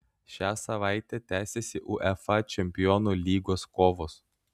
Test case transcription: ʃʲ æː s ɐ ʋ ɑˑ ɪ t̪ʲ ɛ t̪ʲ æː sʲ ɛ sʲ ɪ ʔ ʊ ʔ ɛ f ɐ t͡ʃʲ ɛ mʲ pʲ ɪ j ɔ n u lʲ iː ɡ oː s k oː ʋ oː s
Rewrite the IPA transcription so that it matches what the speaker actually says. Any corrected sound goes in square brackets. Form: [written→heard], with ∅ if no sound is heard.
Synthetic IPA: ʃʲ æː s ɐ ʋ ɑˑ ɪ t̪ʲ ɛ t̪ʲ æː sʲ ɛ sʲ ɪ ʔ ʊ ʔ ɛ f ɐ t͡ʃʲ ɛ mʲ pʲ ɪ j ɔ n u lʲ iː ɡ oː s k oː ʋ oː s